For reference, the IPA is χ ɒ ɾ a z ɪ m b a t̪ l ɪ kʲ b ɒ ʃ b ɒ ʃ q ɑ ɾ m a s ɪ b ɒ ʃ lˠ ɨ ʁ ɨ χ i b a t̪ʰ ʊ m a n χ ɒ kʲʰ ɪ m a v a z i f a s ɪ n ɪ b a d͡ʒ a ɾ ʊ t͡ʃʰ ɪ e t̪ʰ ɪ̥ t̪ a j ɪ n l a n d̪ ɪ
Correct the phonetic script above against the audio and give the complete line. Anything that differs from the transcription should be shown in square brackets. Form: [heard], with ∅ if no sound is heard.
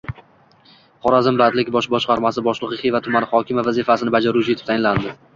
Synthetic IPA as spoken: χ ɒ ɾ a z ɪ m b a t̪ l ɪ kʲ b ɒ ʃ b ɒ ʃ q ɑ ɾ m a s ɪ b ɒ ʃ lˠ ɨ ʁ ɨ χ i [v] a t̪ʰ ʊ m a n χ ɒ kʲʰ ɪ m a v a z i f a s ɪ n ɪ b a d͡ʒ a ɾ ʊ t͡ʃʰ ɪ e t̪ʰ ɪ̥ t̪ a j ɪ n l a n d̪ ɪ